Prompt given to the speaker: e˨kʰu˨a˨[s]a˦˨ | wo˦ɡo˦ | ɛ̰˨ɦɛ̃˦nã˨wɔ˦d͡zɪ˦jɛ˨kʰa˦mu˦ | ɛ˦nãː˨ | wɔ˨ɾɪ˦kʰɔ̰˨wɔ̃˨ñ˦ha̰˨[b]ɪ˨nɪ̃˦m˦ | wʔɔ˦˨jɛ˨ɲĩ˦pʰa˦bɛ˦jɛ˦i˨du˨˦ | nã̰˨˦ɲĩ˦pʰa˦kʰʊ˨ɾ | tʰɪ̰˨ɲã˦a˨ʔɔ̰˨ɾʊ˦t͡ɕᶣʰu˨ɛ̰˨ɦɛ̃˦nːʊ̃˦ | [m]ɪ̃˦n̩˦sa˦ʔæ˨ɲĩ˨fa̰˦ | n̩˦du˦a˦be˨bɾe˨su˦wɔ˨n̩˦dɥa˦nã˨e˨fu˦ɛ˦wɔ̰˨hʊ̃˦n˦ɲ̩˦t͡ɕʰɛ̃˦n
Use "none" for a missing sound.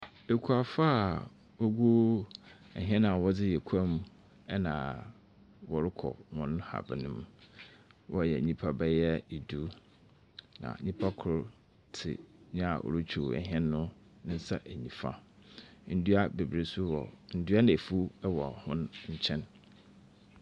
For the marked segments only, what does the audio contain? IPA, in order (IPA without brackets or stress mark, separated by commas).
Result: f, b, n